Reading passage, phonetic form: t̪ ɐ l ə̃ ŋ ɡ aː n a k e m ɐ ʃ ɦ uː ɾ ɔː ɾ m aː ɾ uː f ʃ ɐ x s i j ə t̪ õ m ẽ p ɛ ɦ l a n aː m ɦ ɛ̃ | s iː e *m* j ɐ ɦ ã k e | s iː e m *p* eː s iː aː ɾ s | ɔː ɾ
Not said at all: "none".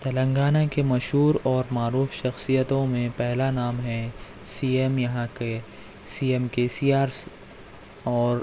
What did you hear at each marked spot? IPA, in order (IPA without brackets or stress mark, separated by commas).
m, k